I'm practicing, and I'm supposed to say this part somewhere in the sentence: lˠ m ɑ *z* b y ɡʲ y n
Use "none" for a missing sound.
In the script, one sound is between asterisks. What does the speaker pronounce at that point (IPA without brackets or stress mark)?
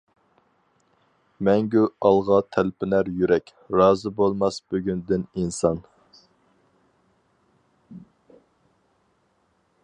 s